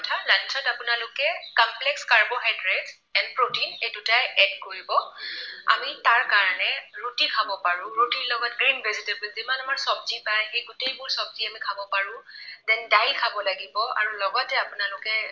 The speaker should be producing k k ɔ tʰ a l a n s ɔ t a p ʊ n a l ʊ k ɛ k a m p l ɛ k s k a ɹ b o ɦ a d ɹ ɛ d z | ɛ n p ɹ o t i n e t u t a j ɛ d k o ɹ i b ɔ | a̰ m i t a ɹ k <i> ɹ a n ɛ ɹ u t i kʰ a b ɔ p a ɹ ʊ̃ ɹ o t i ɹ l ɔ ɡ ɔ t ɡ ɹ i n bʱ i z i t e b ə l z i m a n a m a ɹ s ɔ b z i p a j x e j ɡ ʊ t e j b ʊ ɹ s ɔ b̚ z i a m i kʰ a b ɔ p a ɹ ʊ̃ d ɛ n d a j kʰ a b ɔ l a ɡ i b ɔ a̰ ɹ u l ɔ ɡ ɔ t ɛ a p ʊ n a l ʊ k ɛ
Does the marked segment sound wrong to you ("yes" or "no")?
yes